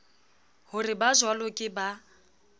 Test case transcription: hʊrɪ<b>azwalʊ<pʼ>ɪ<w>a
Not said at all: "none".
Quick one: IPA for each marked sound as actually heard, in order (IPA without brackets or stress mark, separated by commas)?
b, kʼ, b